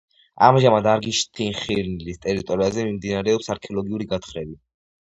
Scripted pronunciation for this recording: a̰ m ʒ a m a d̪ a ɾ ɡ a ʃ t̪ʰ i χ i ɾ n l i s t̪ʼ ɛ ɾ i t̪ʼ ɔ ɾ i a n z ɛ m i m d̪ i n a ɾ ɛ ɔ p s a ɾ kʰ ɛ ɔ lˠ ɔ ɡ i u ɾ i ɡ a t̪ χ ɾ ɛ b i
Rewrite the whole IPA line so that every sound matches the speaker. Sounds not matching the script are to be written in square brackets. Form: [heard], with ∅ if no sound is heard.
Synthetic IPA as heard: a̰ m ʒ a m a d̪ a ɾ ɡ [i] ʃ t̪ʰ i χ i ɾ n l i s t̪ʼ ɛ ɾ i t̪ʼ ɔ ɾ i a [∅] z ɛ m i m d̪ i n a ɾ ɛ ɔ p s a ɾ kʰ ɛ ɔ lˠ ɔ ɡ i u ɾ i ɡ a t̪ χ ɾ ɛ b i